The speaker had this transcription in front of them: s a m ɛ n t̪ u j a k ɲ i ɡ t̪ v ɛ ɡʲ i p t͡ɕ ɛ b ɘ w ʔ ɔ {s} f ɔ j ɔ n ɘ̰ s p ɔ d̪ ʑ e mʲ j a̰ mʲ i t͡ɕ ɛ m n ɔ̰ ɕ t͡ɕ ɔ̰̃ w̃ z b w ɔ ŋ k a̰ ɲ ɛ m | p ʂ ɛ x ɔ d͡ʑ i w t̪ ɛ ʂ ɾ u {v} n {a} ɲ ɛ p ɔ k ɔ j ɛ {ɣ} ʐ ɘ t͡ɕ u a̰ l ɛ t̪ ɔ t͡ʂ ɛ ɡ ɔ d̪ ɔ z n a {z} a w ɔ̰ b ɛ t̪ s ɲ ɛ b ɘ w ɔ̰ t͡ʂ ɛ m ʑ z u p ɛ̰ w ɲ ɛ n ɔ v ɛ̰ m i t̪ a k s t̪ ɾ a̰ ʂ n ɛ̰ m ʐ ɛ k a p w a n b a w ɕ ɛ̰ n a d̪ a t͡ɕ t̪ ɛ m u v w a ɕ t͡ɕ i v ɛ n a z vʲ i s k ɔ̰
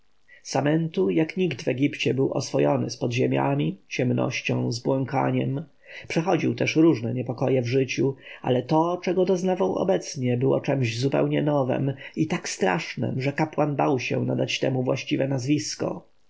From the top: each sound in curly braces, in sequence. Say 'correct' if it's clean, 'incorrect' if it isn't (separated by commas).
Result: correct, incorrect, incorrect, incorrect, incorrect